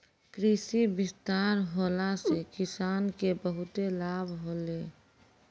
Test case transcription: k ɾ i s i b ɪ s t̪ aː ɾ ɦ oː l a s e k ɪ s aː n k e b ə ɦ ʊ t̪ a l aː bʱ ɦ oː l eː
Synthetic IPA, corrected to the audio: k ɾ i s i b ɪ s t̪ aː ɾ ɦ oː l a s e k ɪ s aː n k e b ə ɦ ʊ t̪ e l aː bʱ ɦ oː l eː